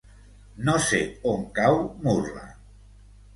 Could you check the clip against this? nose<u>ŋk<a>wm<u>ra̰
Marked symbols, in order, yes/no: no, yes, yes

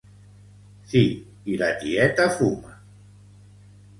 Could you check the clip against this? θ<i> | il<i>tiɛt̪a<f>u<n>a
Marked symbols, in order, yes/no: yes, no, yes, no

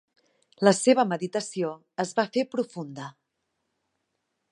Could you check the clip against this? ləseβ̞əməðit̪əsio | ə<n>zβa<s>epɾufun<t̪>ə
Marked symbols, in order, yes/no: no, no, no

